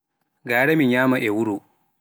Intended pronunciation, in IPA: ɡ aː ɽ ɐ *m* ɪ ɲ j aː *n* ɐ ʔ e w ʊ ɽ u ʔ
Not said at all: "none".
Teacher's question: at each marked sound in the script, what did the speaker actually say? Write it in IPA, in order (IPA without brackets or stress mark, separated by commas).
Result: m, m